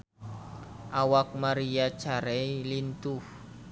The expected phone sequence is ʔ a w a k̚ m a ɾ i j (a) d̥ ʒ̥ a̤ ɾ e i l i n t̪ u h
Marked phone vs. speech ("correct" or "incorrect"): correct